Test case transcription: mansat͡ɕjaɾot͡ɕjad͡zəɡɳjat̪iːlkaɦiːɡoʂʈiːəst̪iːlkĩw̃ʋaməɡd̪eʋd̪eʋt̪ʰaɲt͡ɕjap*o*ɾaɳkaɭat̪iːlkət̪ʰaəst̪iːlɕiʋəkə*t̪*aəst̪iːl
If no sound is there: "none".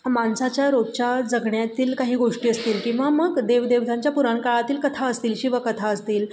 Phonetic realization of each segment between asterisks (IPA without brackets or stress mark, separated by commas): u, t̪ʰ